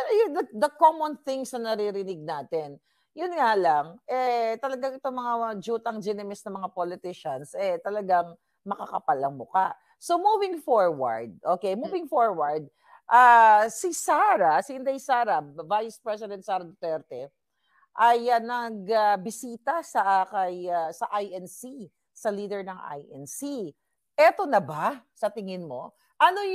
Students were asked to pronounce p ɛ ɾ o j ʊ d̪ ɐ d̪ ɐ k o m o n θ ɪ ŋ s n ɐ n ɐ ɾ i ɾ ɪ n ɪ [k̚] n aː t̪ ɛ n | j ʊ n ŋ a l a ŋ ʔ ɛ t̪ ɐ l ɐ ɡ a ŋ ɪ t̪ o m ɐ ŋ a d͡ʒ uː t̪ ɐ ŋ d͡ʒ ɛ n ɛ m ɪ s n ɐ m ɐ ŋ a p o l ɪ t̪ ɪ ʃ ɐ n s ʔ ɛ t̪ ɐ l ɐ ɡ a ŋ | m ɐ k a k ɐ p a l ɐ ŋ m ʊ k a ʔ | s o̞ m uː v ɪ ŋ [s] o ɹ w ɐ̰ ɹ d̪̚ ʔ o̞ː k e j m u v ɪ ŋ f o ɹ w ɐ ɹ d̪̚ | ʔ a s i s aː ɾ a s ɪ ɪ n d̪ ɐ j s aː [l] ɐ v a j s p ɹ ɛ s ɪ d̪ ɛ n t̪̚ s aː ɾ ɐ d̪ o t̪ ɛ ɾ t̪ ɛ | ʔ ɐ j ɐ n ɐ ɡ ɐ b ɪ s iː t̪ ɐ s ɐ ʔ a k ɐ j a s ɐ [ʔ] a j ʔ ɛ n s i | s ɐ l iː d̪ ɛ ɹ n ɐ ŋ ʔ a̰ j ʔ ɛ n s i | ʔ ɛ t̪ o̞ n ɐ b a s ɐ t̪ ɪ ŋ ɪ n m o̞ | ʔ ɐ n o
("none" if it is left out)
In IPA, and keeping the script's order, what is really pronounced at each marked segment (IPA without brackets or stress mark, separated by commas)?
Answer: ɡ̚, f, ɾ, ʔ